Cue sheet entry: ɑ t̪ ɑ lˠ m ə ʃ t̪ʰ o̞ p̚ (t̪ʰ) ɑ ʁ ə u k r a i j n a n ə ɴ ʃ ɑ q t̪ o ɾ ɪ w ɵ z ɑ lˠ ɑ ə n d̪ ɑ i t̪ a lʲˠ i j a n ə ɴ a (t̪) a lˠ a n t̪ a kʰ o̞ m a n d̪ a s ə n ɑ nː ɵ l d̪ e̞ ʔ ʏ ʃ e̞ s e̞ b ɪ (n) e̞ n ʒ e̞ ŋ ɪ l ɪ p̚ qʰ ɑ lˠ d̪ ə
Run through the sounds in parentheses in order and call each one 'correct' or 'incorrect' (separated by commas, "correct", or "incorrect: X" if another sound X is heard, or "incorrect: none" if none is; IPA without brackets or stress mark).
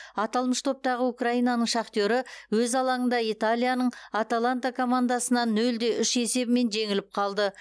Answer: incorrect: t̪, correct, incorrect: m